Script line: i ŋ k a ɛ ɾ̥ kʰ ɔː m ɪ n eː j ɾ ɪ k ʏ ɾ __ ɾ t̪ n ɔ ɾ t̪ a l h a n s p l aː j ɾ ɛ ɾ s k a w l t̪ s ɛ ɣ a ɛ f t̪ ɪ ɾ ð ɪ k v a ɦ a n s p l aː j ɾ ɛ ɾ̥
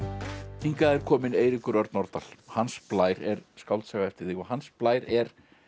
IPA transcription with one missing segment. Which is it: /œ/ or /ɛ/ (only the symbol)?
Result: œ